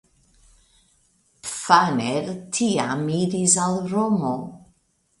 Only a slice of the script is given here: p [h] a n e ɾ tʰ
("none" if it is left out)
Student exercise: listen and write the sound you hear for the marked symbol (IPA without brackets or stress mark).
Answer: f